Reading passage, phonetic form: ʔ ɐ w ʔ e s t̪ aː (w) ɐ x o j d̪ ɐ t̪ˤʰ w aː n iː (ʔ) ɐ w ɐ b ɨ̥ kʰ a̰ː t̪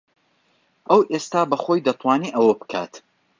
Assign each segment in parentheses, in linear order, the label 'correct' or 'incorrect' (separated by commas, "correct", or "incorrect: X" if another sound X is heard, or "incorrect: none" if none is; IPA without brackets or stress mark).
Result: incorrect: b, correct